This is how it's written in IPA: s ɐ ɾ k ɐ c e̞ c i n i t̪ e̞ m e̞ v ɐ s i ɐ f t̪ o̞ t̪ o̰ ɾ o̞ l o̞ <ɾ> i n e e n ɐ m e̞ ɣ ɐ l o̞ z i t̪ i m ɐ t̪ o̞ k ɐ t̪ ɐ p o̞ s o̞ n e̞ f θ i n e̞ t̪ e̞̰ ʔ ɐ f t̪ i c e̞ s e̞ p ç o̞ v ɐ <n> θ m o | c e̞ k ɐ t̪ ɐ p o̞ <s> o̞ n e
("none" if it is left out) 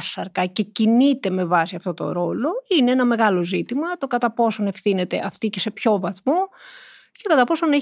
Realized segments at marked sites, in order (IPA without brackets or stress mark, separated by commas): none, none, s